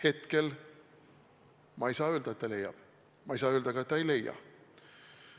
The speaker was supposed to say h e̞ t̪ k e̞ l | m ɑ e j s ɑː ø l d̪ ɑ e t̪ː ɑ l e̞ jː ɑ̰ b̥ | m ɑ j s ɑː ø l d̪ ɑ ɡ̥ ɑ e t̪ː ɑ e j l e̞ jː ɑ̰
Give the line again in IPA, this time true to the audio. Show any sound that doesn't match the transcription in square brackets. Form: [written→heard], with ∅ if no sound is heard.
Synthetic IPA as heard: h e̞ t̪ k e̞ l | m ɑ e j s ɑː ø l d̪ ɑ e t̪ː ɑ l e̞ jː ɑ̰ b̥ | m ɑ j s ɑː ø l d̪ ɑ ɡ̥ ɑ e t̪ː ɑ e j l e̞ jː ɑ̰